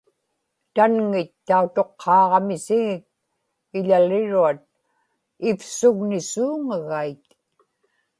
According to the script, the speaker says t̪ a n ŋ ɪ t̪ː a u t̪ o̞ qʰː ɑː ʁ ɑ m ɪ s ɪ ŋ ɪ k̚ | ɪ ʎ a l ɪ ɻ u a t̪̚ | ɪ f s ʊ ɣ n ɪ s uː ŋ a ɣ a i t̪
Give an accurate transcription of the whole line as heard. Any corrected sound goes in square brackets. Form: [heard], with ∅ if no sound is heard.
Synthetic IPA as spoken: t̪ a n ŋ ɪ t̪ː a u t̪ o̞ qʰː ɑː ʁ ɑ m ɪ s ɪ ŋ ɪ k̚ | ɪ ʎ a l ɪ ɻ u a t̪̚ | ɪ f s ʊ ɣ n ɪ s uː ŋ a ɣ a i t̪